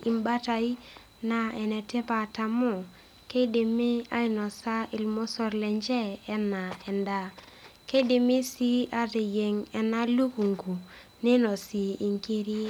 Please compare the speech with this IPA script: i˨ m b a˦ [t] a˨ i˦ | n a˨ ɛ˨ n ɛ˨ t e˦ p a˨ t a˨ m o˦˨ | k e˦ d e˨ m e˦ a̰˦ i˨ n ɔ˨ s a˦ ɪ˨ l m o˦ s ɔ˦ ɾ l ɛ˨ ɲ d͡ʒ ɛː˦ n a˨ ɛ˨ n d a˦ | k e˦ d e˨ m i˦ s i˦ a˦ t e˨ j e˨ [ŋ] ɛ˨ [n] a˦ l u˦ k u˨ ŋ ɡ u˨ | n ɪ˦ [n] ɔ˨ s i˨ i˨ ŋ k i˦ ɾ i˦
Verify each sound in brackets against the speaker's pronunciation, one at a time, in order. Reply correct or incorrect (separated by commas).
correct, correct, correct, correct